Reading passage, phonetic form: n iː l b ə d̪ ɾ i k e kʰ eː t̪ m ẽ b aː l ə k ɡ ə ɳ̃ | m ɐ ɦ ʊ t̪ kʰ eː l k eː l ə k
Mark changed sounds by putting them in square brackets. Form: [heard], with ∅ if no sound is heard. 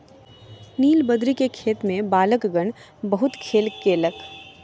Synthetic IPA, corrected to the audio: n iː l b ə d̪ ɾ i k e kʰ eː t̪ m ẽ b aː l ə k ɡ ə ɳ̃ | [b] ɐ ɦ ʊ t̪ kʰ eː l k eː l ə k